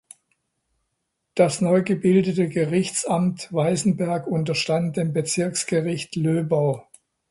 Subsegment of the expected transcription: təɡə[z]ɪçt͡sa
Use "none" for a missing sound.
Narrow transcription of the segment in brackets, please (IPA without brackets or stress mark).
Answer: ʁ